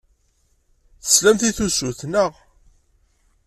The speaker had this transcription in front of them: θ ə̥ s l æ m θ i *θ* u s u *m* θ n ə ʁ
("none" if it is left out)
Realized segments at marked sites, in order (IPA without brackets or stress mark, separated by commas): θ, none